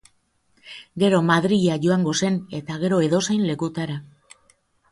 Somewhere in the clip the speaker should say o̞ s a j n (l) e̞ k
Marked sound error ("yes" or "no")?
no